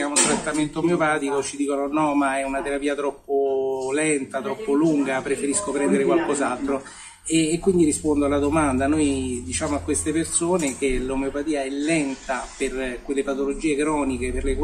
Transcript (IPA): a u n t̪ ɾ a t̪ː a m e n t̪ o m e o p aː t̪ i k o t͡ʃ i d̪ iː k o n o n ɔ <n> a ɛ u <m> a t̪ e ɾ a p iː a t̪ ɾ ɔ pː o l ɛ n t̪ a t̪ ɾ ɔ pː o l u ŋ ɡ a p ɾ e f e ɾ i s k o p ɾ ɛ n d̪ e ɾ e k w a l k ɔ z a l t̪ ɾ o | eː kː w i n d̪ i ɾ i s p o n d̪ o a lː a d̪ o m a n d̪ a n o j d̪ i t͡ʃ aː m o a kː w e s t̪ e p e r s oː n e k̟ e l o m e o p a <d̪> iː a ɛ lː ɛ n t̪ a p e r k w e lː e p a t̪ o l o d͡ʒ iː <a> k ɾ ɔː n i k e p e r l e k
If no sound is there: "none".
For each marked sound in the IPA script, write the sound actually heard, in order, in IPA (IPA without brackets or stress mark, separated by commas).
m, n, t̪, e